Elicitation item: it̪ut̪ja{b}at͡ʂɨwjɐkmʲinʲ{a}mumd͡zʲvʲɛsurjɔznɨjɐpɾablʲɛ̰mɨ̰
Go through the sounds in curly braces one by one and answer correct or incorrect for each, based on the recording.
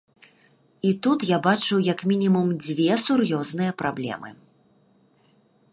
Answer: correct, incorrect

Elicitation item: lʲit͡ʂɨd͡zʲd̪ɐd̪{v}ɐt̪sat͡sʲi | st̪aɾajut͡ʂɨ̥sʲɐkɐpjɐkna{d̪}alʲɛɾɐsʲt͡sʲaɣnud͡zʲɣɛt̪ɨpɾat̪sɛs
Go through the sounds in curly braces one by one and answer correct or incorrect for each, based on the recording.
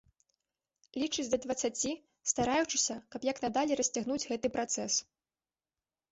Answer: correct, correct

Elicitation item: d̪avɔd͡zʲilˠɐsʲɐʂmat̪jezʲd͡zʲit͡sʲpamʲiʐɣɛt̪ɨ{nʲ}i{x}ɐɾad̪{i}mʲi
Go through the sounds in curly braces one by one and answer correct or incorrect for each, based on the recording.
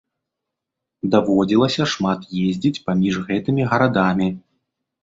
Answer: incorrect, incorrect, incorrect

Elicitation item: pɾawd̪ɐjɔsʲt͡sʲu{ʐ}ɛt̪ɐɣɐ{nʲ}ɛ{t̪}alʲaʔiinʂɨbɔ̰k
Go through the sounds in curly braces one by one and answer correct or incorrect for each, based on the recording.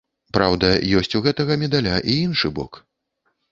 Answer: incorrect, incorrect, incorrect

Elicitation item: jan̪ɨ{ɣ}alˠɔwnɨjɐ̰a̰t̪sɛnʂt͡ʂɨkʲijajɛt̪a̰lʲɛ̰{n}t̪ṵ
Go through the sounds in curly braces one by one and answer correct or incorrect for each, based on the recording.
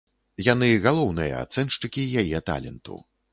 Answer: correct, correct

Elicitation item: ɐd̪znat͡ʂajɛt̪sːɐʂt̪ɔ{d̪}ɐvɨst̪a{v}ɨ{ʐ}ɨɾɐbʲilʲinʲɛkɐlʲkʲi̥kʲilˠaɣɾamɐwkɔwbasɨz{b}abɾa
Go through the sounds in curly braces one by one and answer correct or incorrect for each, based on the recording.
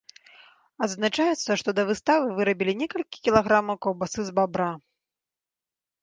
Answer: correct, correct, incorrect, correct

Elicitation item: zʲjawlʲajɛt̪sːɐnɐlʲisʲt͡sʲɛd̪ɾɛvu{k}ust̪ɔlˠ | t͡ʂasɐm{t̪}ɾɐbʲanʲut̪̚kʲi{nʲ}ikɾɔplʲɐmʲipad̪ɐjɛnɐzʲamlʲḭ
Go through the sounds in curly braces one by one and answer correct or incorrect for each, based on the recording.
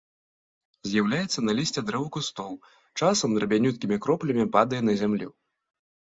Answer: correct, incorrect, incorrect

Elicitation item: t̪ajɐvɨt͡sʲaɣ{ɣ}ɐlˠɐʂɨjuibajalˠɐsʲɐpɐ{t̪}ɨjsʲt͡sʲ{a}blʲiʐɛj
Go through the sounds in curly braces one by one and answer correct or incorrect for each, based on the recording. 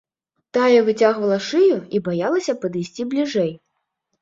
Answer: incorrect, incorrect, incorrect

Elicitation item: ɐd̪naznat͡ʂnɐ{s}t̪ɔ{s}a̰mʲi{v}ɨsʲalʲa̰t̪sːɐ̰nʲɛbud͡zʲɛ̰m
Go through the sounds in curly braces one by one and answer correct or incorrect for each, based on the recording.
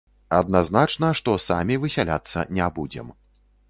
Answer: incorrect, correct, correct

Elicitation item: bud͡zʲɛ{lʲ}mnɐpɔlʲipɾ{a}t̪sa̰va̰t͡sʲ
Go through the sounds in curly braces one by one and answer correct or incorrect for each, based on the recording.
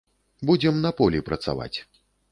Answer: incorrect, incorrect

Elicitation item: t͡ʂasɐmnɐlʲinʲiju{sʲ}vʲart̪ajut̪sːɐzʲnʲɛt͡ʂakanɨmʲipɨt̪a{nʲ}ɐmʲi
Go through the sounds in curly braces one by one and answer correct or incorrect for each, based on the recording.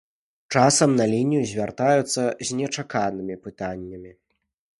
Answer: incorrect, incorrect

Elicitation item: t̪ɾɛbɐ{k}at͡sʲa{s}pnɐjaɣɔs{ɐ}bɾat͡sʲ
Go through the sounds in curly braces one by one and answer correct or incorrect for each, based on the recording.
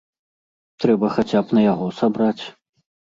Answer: incorrect, incorrect, incorrect

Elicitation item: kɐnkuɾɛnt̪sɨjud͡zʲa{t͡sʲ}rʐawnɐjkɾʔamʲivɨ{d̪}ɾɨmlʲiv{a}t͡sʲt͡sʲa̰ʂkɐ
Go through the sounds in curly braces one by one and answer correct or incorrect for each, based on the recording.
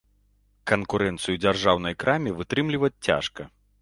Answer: incorrect, incorrect, incorrect

